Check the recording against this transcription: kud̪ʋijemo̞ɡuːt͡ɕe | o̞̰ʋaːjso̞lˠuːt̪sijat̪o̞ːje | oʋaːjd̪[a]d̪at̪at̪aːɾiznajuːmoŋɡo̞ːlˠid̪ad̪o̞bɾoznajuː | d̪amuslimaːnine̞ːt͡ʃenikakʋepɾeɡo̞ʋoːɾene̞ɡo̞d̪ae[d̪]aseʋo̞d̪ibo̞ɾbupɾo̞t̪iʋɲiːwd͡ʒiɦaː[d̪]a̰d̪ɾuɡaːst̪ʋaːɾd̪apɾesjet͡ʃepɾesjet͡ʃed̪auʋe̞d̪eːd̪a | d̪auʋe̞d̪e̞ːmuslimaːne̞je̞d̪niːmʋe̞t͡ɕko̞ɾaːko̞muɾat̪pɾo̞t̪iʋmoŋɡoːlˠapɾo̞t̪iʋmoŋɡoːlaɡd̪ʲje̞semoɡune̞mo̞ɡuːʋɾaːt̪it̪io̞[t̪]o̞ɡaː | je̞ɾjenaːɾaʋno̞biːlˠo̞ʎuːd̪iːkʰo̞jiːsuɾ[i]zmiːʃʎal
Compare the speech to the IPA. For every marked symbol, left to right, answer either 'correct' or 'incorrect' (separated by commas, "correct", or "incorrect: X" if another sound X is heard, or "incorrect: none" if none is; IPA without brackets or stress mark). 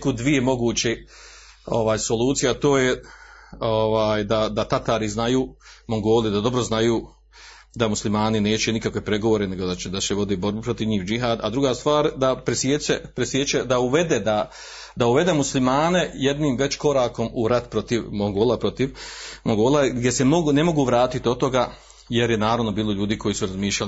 correct, correct, correct, correct, incorrect: a